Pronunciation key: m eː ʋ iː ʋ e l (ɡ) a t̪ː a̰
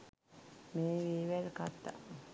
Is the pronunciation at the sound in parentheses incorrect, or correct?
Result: incorrect: k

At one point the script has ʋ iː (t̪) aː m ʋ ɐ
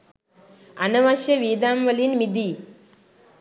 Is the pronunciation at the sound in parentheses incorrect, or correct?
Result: incorrect: d̪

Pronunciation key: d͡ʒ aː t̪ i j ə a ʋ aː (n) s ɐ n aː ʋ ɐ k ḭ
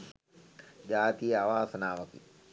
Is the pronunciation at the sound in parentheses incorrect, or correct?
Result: incorrect: none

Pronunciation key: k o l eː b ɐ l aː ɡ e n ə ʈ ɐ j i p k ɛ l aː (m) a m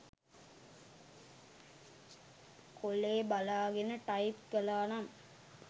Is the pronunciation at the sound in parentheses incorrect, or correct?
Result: incorrect: n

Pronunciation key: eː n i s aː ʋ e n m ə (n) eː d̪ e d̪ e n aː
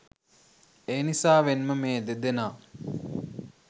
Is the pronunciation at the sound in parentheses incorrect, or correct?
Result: incorrect: m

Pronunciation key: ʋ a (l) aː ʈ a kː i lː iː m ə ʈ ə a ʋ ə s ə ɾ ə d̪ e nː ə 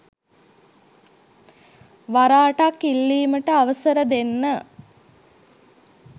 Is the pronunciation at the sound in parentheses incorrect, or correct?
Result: incorrect: ɾ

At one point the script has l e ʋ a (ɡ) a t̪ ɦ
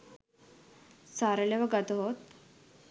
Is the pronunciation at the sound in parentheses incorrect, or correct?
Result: correct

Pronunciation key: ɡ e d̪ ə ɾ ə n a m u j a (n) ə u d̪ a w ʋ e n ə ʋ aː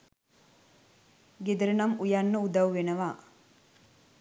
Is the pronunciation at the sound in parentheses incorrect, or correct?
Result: incorrect: nː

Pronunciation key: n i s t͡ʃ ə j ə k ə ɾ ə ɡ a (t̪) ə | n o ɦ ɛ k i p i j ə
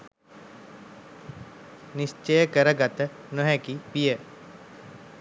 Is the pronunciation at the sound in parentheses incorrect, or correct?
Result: correct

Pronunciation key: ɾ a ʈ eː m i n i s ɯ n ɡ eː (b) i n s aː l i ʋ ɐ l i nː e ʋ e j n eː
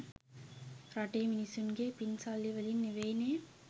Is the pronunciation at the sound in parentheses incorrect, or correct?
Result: incorrect: p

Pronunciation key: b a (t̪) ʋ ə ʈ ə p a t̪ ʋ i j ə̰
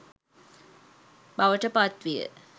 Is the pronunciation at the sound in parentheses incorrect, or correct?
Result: incorrect: none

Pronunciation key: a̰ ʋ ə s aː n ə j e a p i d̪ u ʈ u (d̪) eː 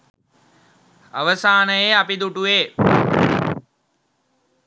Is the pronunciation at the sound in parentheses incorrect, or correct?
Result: incorrect: none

